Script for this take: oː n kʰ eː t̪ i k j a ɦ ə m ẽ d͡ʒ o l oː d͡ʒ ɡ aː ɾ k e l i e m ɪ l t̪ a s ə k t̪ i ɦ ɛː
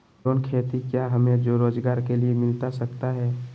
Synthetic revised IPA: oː n kʰ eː t̪ i k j a ɦ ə m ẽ d͡ʒ o ɾ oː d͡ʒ ɡ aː ɾ k e l i e m ɪ l t̪ a s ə k t̪ a ɦ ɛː

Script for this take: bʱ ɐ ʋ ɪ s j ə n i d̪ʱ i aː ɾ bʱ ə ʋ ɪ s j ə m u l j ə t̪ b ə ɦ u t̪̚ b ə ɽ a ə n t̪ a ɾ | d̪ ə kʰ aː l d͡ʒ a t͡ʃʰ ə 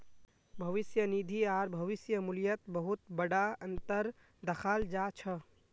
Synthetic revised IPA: bʱ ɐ ʋ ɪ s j ə n i d̪ʱ i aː ɾ bʱ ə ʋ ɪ s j ə m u l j ə t̪ b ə ɦ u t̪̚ b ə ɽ a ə n t̪ ə ɾ | d̪ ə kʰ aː l d͡ʒ a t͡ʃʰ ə

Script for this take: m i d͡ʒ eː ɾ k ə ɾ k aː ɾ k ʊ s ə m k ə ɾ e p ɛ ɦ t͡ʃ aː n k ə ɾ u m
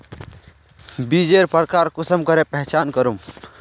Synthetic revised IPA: b i d͡ʒ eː ɾ p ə ɾ k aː ɾ k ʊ s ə m k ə ɾ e p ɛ ɦ t͡ʃ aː n k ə ɾ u m

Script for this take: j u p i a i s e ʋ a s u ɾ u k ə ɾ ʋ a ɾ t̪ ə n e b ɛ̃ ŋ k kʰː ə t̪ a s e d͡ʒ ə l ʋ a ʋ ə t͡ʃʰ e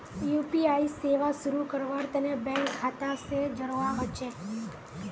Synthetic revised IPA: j u p i a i s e ʋ a s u ɾ u k ə ɾ ʋ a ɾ t̪ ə n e b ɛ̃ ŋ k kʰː a t̪ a s e d͡ʒ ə ɾ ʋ a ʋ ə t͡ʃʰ e

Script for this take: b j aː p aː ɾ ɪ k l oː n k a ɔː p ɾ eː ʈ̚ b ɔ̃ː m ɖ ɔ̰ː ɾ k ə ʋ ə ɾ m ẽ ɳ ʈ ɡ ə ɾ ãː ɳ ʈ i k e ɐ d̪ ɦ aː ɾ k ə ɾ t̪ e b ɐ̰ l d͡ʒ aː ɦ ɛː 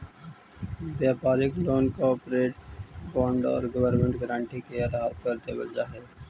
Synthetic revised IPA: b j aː p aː ɾ ɪ k l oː n k a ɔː p ɾ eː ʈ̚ b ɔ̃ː ɳ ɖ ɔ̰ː ɾ ɡ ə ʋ ə ɾ m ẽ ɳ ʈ ɡ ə ɾ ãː ɳ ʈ i k e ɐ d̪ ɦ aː ɾ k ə ɾ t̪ e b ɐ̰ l d͡ʒ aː ɦ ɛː

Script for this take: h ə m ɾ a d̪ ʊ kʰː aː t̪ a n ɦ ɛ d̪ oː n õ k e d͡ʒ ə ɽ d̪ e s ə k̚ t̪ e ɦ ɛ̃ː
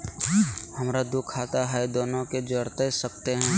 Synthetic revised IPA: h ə m ɾ a d̪ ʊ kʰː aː t̪ a ɦ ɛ d̪ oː n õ k e d͡ʒ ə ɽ t̪ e s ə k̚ t̪ e ɦ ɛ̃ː

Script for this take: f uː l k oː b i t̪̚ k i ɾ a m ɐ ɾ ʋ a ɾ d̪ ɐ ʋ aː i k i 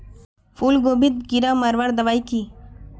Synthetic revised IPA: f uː l ɡ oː b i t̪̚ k i ɾ a m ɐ ɾ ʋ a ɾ d̪ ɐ ʋ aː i k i

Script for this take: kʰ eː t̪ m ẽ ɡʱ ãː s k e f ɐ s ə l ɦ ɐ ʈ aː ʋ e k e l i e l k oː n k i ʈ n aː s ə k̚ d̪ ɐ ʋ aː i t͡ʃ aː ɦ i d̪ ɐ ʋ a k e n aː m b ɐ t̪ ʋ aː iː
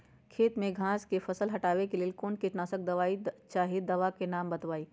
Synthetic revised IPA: kʰ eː t̪ m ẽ ɡʱ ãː s k e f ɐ s ə l ɦ ɐ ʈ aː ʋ e k e l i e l k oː n k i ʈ n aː s ə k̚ d̪ ɐ ʋ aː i t͡ʃ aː ɦ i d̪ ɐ ʋ a k e n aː m b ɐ t̪ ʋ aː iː

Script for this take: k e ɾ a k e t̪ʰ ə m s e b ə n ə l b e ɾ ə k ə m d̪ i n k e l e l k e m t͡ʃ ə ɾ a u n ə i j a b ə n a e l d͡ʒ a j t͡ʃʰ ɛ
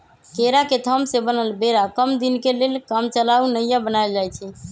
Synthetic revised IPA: k e ɾ a k e t̪ʰ ə m s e b ə n ə l b e ɾ a k ə m d̪ i n k e l e l k a m t͡ʃ ə l a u n ə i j a b ə n a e l d͡ʒ a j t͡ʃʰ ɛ

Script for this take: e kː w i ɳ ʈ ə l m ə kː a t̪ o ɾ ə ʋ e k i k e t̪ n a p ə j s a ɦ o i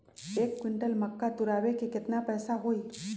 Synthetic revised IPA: e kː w i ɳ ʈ ə l m ə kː a t̪ u ɾ a ʋ e k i k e t̪ n a p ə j s a ɦ o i

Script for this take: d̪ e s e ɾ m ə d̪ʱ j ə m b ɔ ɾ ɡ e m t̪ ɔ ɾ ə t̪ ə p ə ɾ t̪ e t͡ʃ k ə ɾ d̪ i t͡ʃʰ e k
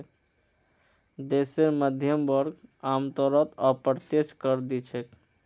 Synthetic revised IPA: d̪ e s e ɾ m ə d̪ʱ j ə m b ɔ ɾ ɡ a m t̪ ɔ ɾ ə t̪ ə p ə ɾ t̪ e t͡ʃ k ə ɾ d̪ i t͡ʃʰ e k

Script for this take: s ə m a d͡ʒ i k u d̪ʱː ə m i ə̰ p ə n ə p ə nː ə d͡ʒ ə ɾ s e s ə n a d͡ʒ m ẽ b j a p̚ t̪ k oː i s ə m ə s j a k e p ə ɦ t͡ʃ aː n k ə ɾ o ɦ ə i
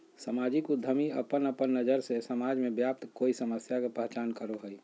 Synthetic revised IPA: s ə m a d͡ʒ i k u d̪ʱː ə m i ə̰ p ə n ə p ə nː ə d͡ʒ ə ɾ s e s ə m a d͡ʒ m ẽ b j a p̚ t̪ k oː i s ə m ə s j a k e p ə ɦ t͡ʃ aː n k ə ɾ o ɦ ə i

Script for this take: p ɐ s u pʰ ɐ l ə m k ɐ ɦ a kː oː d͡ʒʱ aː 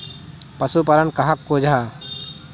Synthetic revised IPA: p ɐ s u p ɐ ɾ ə n k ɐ ɦ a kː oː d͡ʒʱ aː

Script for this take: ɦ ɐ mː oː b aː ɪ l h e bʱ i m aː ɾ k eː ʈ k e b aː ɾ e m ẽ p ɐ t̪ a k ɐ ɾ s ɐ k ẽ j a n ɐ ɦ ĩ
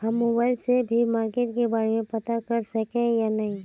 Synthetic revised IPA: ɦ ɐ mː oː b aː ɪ l s e bʱ i m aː ɾ k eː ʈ k e b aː ɾ e m ẽ p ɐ t̪ a k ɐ ɾ s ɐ k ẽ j a n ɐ ɦ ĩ

